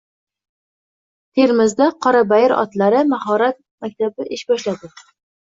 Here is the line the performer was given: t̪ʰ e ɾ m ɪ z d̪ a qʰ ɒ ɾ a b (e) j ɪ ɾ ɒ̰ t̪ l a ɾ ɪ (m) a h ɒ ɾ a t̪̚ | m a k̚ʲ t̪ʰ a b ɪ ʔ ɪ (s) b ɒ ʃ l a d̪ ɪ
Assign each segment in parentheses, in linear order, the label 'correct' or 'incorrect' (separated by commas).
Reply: incorrect, correct, incorrect